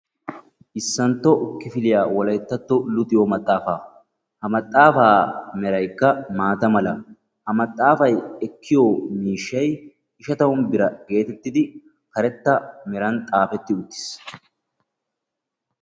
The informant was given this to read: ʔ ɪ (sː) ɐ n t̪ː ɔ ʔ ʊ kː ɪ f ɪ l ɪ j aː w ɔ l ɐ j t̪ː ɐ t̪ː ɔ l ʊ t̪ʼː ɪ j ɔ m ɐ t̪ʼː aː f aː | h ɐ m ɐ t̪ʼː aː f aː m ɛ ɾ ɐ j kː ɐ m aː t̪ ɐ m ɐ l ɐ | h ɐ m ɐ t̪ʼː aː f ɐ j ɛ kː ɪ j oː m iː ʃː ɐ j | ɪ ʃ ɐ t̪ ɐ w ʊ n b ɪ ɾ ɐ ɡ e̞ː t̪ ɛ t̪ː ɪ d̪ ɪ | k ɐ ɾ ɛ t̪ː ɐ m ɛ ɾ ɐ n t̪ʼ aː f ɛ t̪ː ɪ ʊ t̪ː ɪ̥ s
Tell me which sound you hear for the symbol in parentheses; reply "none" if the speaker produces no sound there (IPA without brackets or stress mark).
sː